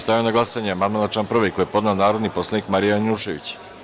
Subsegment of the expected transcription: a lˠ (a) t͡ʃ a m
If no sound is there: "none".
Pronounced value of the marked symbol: a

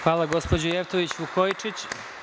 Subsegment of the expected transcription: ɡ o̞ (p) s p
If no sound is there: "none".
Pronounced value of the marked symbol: none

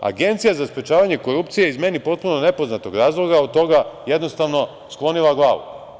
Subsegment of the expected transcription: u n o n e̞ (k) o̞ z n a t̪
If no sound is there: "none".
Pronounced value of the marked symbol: p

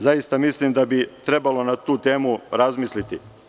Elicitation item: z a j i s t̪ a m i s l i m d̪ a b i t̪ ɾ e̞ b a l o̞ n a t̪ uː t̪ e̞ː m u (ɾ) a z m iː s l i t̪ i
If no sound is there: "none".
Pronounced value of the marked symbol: ɾ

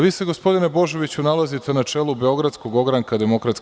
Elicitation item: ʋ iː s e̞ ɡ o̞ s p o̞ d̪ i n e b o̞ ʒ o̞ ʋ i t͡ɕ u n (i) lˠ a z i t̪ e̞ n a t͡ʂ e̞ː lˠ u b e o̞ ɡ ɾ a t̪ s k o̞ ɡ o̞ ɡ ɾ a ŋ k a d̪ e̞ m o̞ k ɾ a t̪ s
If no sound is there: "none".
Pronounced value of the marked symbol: a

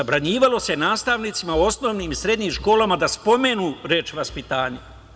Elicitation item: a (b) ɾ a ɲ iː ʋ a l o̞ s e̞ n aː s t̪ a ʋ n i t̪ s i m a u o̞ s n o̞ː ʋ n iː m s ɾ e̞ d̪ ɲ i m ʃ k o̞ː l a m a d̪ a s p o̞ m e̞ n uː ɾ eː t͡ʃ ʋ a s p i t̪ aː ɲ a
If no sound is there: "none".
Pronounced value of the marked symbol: b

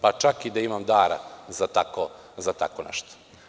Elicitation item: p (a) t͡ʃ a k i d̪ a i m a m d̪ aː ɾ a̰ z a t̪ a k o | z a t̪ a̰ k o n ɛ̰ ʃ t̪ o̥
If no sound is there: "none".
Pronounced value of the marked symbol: a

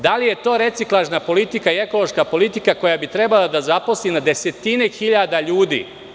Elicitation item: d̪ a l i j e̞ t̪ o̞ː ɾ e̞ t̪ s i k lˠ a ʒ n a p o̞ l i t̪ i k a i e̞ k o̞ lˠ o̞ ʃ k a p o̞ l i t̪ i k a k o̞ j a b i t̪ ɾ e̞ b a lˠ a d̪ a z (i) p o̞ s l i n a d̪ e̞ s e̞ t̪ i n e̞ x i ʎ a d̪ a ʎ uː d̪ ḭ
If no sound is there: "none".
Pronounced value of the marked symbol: a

